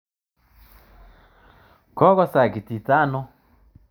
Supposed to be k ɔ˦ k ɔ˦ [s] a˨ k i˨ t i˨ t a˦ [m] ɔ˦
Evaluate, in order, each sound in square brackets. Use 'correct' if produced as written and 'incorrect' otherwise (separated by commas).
correct, incorrect